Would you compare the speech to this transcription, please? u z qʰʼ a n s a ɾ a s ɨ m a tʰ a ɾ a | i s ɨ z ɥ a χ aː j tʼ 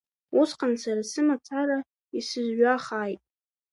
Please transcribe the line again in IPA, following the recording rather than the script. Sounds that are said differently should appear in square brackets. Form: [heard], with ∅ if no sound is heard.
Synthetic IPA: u [s] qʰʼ a n s a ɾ a s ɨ m a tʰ a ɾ a | i s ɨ z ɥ a χ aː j tʼ